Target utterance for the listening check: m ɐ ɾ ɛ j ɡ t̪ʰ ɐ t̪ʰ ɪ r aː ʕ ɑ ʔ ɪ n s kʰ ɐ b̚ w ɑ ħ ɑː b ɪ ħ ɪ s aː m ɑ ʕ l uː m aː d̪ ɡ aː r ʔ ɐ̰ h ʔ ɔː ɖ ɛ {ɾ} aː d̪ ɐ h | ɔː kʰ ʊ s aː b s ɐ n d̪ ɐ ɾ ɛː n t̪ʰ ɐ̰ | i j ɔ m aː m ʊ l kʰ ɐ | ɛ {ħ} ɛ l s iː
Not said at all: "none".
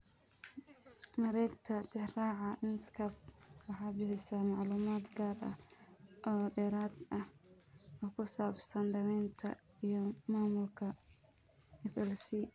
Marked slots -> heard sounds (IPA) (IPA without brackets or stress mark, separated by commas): ɾ, f